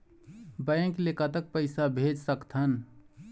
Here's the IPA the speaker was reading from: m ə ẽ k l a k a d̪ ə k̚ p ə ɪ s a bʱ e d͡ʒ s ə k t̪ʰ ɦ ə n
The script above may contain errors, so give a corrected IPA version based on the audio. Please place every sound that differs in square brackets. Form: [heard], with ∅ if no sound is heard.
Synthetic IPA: [b] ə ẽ k l [e] k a [t̪] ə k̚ p ə ɪ s a bʱ e d͡ʒ s ə k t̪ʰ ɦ ə n